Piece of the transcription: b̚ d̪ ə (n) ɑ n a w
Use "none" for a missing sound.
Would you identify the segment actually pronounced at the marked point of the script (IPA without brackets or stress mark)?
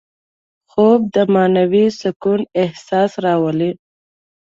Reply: m